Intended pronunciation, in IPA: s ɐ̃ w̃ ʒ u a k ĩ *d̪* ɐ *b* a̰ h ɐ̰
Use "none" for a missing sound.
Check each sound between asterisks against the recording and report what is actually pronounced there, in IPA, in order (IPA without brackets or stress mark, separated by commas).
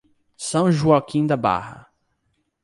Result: d̪, b